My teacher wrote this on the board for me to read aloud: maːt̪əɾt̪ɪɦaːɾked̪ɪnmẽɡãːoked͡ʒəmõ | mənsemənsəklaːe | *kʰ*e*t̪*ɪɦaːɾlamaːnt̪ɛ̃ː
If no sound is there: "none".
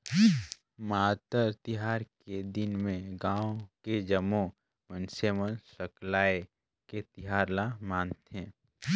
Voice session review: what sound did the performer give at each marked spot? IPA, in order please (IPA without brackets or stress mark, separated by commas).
k, t̪